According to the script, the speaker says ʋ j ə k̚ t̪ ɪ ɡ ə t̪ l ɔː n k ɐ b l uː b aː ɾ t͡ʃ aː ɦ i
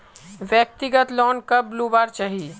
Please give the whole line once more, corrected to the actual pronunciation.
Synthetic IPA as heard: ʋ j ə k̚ t̪ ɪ ɡ ə t̪ l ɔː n k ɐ b l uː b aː ɾ t͡ʃ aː ɦ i

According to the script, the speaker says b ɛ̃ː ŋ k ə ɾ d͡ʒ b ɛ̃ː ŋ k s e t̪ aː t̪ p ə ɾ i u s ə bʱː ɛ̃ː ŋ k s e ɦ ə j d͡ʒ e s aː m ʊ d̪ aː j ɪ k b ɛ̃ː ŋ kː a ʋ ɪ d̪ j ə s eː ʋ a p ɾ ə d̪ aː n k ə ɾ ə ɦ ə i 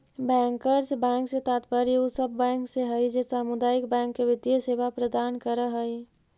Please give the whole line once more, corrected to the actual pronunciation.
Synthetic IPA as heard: b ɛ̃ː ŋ k ə ɾ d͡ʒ b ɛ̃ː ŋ k s e t̪ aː t̪ p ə ɾ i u s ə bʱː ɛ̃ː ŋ k s e ɦ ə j d͡ʒ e s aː m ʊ d̪ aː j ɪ k b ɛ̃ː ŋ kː e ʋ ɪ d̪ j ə s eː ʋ a p ɾ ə d̪ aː n k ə ɾ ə ɦ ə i

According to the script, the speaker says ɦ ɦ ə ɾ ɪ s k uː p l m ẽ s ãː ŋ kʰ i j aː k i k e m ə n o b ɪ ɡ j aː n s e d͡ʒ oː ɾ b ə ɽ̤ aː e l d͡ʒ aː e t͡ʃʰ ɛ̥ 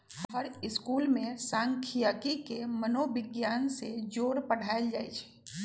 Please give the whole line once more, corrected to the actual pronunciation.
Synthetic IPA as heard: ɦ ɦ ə ɾ ɪ s k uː l m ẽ s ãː ŋ kʰ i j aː k i k e m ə n o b ɪ ɡ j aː n s e d͡ʒ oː ɾ p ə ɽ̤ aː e l d͡ʒ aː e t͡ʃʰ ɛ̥

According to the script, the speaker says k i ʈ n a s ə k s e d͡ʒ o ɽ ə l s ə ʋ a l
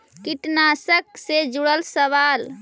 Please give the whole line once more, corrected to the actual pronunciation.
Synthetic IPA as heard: k i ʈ n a s ə k s e d͡ʒ u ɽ ə l s ə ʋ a l

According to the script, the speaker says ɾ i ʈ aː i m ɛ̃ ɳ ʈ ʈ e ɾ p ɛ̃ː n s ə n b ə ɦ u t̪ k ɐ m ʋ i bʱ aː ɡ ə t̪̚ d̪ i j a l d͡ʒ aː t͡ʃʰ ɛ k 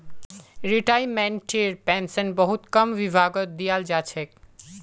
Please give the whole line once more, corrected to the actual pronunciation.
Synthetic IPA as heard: ɾ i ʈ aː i m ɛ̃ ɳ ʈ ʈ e ɾ p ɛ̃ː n s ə n b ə ɦ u t̪ k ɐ m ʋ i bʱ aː ɡ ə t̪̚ d̪ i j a l d͡ʒ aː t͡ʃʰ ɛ k

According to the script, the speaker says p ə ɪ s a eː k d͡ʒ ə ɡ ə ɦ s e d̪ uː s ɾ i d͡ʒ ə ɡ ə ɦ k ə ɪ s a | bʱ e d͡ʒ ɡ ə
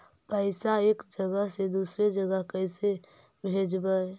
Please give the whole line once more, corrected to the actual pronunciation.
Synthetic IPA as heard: p ə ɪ s a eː k d͡ʒ ə ɡ ə ɦ s e d̪ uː s ɾ e d͡ʒ ə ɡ ə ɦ k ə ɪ s e | bʱ e d͡ʒ b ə

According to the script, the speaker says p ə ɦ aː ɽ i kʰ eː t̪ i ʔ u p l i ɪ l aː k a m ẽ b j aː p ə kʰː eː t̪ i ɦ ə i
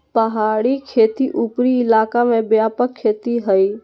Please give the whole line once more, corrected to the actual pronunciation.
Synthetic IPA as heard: p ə ɦ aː ɽ i kʰ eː t̪ i ʔ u p ɾ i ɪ l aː k a m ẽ b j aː p ə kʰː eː t̪ i ɦ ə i

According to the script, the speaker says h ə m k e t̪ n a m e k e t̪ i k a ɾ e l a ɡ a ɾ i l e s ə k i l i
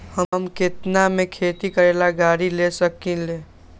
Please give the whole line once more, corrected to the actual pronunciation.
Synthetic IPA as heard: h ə m k e t̪ n a m e kʰ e t̪ i k ə ɾ e l a ɡ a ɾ i l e s ə k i l e

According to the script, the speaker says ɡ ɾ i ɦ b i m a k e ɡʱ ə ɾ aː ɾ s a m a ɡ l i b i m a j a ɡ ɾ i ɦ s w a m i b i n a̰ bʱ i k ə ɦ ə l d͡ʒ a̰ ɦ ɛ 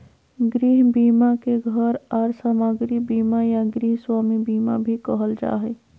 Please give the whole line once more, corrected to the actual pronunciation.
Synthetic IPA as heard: ɡ ɾ i ɦ b i m a k e ɡʱ ə ɾ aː ɾ s a m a ɡ ɾ i b i m a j a ɡ ɾ i ɦ s w a m i b i m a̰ bʱ i k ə ɦ ə l d͡ʒ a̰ ɦ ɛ

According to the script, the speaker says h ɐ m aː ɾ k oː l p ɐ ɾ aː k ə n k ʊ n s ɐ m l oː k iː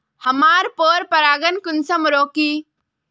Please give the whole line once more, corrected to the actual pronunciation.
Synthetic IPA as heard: h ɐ m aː ɾ p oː ɾ p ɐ ɾ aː ɡ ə n k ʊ n s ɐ m ɾ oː k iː

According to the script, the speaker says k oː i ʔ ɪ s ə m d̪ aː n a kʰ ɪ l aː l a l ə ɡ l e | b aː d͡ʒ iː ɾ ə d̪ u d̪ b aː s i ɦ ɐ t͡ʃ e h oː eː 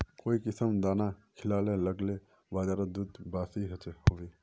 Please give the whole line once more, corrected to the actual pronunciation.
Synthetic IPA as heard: k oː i k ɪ s ə m d̪ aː n a kʰ ɪ l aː l e l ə ɡ l e | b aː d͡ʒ aː ɾ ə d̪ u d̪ b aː s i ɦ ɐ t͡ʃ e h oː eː

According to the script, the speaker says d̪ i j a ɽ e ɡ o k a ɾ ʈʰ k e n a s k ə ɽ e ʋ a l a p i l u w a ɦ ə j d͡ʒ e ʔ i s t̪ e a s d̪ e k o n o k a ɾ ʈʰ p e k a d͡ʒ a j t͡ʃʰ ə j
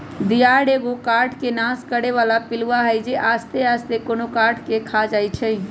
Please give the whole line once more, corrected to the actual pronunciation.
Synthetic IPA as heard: d̪ i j a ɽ e ɡ o k a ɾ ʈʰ k e n a s k ə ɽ e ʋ a l a p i l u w a ɦ ə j d͡ʒ e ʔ a s t̪ e a s t̪ e k o n o k a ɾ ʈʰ k e kʰ a d͡ʒ a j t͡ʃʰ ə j

